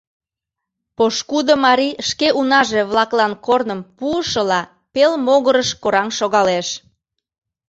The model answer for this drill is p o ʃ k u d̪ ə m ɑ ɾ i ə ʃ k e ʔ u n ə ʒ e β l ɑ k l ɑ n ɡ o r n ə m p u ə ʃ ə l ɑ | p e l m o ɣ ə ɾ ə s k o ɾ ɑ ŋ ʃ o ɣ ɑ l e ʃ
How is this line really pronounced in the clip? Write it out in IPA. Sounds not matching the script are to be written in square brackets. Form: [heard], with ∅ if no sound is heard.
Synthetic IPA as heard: p o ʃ k u d̪ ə m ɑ ɾ i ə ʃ k e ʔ u n [ɑ] ʒ e β l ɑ k l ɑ n [k] o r n ə m p u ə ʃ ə l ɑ | p e l m o ɣ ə ɾ ə [ʃ] k o ɾ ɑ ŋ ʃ o ɣ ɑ l e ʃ